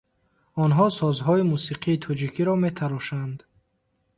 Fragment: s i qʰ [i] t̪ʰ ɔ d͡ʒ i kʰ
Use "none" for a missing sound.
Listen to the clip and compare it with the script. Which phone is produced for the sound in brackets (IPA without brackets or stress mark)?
iː